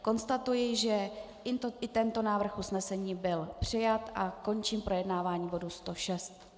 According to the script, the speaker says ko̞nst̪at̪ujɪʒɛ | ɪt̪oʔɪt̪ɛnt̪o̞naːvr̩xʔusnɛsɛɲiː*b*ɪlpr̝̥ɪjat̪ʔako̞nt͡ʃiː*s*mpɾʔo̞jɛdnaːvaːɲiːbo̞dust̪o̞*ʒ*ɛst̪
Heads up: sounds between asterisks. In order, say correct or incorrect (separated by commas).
correct, incorrect, incorrect